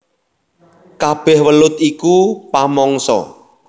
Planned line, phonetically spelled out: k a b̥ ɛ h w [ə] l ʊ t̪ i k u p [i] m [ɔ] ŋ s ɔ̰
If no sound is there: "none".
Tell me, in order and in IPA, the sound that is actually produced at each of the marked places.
ə, a, ɔ

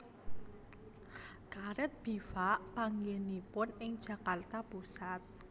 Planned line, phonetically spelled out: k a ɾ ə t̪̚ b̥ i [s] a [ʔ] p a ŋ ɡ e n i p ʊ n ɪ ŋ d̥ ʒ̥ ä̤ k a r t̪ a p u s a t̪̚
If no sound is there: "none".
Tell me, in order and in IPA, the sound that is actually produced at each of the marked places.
f, ʔ

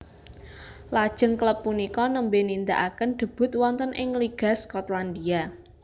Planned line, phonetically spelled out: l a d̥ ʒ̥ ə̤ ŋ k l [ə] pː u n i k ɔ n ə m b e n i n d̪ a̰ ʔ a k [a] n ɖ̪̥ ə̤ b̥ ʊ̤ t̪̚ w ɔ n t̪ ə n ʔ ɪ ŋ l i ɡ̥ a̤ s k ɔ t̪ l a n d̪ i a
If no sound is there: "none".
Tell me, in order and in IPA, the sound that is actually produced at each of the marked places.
ə, ə

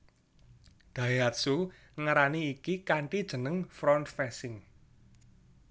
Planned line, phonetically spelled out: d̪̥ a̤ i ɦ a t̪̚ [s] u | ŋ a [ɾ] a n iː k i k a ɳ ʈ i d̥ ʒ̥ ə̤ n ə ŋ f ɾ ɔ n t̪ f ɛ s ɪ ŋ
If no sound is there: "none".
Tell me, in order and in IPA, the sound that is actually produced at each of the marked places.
s, ɾ

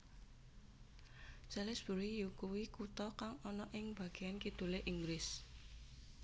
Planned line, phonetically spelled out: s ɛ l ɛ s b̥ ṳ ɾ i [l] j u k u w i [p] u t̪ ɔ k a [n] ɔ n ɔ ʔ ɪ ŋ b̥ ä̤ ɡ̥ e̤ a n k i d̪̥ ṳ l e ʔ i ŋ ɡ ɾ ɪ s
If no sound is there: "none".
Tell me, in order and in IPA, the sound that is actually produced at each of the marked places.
none, k, ŋ

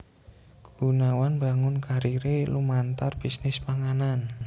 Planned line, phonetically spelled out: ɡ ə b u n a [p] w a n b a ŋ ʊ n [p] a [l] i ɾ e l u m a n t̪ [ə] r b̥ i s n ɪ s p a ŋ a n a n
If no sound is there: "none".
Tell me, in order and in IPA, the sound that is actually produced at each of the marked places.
none, k, ɾ, a

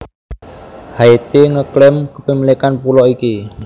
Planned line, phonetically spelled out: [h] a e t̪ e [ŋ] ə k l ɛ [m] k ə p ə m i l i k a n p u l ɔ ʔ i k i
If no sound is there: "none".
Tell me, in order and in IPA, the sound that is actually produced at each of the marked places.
h, ŋ, m

